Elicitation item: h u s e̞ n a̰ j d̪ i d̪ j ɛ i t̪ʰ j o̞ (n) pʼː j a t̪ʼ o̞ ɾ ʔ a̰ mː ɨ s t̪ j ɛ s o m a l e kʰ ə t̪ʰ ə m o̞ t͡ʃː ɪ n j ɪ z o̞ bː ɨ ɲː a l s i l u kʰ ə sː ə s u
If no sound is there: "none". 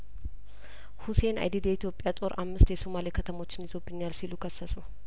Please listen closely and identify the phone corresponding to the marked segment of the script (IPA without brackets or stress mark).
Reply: none